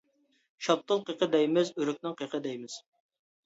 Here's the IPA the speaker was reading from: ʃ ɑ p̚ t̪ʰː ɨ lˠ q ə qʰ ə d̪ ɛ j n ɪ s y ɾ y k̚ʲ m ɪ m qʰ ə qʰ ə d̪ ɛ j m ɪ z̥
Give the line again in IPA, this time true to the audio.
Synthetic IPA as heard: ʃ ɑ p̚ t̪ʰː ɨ lˠ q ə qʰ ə d̪ ɛ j m ɪ z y ɾ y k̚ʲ n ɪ ŋ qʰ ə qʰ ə d̪ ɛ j m ɪ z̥

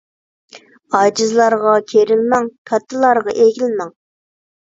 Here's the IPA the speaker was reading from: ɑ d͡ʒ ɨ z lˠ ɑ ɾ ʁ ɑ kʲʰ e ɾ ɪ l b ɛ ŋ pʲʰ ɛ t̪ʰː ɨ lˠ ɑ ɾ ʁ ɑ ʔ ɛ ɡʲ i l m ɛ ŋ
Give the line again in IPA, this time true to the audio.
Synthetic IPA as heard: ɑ d͡ʒ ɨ z lˠ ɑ ɾ ʁ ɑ kʲʰ e ɾ ɪ l m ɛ ŋ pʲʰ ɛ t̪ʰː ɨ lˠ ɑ ɾ ʁ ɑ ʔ e ɡʲ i l m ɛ ŋ

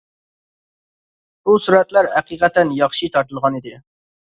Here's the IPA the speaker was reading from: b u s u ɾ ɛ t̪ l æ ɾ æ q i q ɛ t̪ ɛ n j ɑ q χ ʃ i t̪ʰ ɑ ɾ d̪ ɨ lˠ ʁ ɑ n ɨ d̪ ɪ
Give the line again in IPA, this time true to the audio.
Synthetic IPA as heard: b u s u ɾ ɛ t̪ l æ ɾ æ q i q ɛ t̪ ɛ n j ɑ χ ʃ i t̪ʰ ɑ ɾ t̪ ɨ lˠ ʁ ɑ n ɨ d̪ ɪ

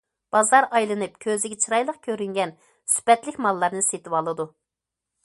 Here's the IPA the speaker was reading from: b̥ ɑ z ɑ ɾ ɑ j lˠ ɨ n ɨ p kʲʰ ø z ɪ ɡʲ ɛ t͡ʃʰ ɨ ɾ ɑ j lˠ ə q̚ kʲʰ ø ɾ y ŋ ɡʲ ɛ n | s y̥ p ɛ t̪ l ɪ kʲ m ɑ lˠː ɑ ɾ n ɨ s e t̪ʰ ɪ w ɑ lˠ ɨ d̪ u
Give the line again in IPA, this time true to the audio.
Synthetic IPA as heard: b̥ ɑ z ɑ ɾ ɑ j lˠ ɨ n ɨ p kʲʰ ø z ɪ ɡʲ ɛ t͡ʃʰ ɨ ɾ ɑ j lˠ ə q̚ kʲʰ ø ɾ y ŋ ɡʲ ɛ n | s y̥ p ɛ t̪ l ɪ kʲ m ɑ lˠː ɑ ɾ n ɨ s e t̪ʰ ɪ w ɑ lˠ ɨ d̪ u

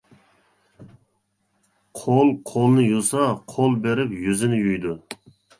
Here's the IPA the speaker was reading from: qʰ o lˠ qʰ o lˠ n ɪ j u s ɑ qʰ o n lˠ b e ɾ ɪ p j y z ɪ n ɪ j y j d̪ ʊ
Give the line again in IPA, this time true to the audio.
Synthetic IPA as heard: qʰ o lˠ qʰ o lˠ n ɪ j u s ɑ qʰ o lˠ b e ɾ ɪ p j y z ɪ n ɪ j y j d̪ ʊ

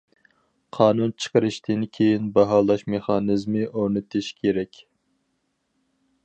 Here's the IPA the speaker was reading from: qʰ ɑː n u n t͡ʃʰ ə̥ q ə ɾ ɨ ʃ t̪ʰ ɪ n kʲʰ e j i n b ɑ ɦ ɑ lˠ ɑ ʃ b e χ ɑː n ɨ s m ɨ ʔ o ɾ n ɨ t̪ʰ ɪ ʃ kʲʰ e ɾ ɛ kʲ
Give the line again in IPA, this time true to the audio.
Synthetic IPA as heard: qʰ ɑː n u n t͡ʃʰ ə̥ q ə ɾ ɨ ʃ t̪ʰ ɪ n kʲʰ e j i n b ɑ ɦ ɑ lˠ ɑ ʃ m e χ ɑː n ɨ z m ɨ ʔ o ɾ n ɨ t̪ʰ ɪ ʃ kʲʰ e ɾ ɛ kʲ

